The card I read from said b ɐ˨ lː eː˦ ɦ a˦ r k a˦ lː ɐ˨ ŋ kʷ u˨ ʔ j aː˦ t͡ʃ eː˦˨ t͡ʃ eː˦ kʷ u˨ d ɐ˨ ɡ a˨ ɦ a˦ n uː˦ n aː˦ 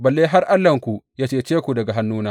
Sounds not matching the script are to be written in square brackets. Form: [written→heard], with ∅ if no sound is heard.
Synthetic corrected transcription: b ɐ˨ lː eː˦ ɦ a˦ r [k→ʔ] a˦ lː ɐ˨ ŋ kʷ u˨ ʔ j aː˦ t͡ʃ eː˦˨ t͡ʃ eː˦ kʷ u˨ d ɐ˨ ɡ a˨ ɦ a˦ [n→nː] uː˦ n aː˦